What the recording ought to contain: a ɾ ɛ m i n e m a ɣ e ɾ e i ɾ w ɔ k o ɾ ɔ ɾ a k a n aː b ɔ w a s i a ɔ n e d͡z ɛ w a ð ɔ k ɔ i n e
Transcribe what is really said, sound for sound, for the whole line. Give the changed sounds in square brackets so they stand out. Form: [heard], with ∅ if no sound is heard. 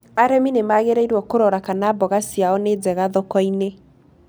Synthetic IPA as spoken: a ɾ ɛ m i n e m a ɣ e ɾ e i ɾ w ɔ k o ɾ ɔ ɾ a k a n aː b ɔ [ɣ] a s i a ɔ n e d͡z ɛ [ɣ] a ð ɔ k ɔ i n e